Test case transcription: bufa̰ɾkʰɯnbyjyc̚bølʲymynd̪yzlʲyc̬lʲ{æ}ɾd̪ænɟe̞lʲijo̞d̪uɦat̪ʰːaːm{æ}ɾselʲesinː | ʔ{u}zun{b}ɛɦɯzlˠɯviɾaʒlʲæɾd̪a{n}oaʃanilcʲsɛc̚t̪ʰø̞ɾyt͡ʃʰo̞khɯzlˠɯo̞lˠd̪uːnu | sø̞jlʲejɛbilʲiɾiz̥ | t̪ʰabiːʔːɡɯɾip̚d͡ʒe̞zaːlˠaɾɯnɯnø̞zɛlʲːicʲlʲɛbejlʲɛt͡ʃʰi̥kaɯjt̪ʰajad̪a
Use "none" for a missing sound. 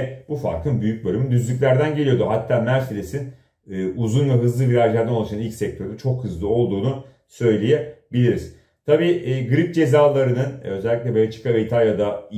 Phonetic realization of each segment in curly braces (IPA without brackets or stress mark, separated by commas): æ, æ, u, v, n